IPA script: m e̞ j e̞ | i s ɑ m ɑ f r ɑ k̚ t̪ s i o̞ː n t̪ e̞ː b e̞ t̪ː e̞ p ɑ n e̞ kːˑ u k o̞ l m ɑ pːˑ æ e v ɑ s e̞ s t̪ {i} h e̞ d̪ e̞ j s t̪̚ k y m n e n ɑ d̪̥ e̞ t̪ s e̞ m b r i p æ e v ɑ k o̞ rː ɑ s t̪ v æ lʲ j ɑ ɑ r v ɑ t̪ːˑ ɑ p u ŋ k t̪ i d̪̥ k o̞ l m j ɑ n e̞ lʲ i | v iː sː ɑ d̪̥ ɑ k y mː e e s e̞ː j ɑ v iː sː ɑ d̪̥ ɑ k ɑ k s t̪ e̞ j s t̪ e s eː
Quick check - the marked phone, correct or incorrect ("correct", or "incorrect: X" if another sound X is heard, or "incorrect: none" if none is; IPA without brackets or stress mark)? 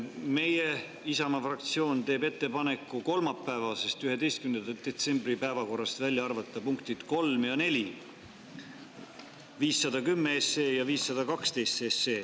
incorrect: y